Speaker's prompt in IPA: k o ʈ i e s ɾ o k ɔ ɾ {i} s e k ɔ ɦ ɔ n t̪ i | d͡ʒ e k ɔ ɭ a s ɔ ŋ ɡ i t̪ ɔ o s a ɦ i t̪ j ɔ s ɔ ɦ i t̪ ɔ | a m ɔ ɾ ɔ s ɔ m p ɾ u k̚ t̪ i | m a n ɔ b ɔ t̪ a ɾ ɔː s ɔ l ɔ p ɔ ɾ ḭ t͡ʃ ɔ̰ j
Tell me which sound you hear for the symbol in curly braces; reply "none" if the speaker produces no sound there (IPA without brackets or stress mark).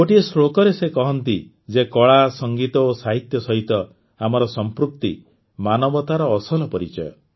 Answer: e